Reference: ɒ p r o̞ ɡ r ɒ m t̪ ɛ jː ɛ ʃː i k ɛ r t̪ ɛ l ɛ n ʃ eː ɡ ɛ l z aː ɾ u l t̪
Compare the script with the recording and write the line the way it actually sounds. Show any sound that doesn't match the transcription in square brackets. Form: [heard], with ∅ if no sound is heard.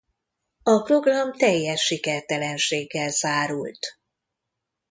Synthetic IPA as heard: ɒ p r o̞ ɡ r ɒ m t̪ ɛ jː ɛ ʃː i k ɛ r t̪ ɛ l ɛ n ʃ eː [ɡː] ɛ l z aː ɾ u l t̪